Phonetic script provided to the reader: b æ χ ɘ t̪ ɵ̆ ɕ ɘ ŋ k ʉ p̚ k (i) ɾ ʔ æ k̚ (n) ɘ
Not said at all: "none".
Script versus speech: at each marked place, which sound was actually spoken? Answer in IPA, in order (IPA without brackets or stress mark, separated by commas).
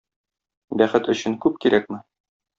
i, m